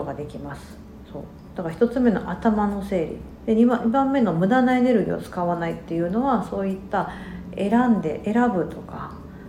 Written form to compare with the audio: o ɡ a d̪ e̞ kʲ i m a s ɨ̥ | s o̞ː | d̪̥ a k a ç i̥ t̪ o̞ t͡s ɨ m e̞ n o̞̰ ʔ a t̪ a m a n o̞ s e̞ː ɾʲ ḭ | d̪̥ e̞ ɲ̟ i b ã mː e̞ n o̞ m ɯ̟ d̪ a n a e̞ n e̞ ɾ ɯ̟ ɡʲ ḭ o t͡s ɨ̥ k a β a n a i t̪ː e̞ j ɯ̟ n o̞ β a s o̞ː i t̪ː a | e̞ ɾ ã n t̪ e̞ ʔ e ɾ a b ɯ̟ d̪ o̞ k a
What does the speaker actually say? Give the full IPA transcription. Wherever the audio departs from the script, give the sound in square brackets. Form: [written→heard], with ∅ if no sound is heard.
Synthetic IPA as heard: o ɡ a d̪ e̞ kʲ i m a s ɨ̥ | s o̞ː | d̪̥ a k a ç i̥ t̪ o̞ t͡s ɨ m e̞ n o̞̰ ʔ a t̪ a m a n o̞ s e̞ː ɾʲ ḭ | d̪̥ e̞ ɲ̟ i b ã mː e̞ n o̞ m ɯ̟ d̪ a n a e̞ n e̞ ɾ ɯ̟ ɡʲ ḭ o t͡s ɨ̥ k a β a n a i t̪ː e̞ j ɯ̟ n o̞ β a s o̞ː i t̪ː a | e̞ ɾ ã n [t̪→d̪] e̞ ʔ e ɾ a b ɯ̟ [d̪→t̪] o̞ k a